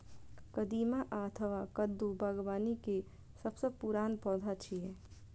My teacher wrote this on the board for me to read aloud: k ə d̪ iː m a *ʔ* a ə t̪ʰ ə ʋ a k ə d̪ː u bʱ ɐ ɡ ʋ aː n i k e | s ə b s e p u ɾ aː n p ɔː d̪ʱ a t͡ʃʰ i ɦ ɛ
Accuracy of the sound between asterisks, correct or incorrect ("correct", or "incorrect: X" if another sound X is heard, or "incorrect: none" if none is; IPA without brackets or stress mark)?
correct